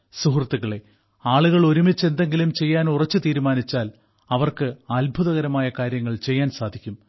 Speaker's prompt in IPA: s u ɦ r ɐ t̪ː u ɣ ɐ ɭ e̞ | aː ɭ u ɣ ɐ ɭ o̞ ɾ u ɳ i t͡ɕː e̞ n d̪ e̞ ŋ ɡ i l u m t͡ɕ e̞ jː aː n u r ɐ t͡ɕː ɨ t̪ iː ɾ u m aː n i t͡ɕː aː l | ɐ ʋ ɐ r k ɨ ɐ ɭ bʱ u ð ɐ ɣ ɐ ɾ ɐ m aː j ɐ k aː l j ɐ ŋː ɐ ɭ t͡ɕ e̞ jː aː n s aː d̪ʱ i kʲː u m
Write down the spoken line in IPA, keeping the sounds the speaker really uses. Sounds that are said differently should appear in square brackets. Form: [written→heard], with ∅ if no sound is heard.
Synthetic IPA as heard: s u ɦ r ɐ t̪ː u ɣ ɐ ɭ e̞ | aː ɭ u ɣ ɐ ɭ o̞ ɾ u [ɳ→m] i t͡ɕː e̞ n d̪ e̞ ŋ ɡ i l u m t͡ɕ e̞ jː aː n u r ɐ t͡ɕː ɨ t̪ iː ɾ u m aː n i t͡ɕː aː l | ɐ ʋ ɐ r k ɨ ɐ [ɭ→l] bʱ u ð ɐ ɣ ɐ ɾ ɐ m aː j ɐ k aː [l→ɾ] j ɐ ŋː ɐ ɭ t͡ɕ e̞ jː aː n s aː d̪ʱ i kʲː u m